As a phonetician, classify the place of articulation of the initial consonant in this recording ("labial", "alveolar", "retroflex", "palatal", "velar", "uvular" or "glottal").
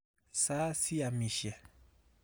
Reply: alveolar